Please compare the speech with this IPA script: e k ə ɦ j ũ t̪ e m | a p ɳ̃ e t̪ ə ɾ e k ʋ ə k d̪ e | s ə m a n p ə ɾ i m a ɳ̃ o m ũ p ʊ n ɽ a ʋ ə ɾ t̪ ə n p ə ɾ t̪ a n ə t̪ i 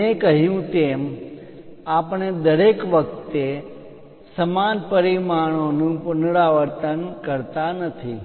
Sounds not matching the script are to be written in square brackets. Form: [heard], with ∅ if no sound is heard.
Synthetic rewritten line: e k ə ɦ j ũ t̪ e m | a p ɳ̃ e [d̪] ə ɾ e k ʋ ə k [t̪] e | s ə m a n p ə ɾ i m a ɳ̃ o [n] ũ p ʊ n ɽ a ʋ ə ɾ t̪ ə n [k] ə ɾ t̪ a n ə [t̪ʰ] i